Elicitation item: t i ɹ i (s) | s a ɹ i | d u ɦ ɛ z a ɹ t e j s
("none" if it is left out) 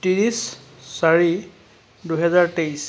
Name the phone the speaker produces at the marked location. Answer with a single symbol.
s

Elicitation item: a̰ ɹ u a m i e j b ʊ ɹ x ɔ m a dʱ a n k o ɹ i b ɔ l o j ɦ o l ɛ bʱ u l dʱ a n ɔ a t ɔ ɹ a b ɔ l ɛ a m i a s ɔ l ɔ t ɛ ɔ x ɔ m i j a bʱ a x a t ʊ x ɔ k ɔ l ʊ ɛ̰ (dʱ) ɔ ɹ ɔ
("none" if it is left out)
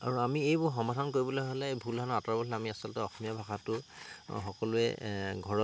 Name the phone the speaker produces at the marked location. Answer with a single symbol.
ɡʱ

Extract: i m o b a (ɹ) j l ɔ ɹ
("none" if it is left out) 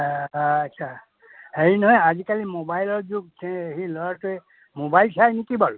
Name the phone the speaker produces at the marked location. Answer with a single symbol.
none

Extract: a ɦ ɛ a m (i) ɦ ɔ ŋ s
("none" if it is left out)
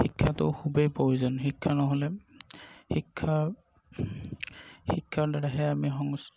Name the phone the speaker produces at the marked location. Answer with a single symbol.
i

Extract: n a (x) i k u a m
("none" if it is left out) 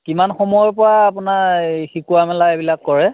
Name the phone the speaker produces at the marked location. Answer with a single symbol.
x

